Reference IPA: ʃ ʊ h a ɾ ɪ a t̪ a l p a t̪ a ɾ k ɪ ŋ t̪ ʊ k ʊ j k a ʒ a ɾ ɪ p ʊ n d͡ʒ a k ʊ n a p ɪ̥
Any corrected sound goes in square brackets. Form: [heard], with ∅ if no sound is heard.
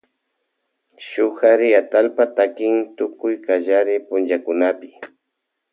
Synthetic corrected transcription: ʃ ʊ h a ɾ ɪ a t̪ a l p a t̪ a [∅] k ɪ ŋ t̪ ʊ k ʊ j k a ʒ a ɾ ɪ p ʊ n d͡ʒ a k ʊ n a p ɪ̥